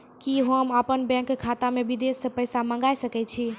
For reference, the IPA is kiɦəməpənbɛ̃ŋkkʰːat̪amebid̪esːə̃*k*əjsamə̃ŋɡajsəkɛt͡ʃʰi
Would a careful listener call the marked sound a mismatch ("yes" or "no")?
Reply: yes